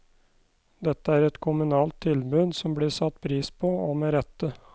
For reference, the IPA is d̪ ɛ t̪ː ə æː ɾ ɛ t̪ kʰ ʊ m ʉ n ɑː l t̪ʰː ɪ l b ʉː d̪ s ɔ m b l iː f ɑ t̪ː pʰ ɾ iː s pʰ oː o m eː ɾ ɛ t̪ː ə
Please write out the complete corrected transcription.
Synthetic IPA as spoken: d̪ ɛ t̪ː ə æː ɾ ɛ t̪ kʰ ʊ m ʉ n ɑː l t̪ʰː ɪ l b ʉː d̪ s ɔ m b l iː s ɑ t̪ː pʰ ɾ iː s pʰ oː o m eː ɾ ɛ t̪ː ə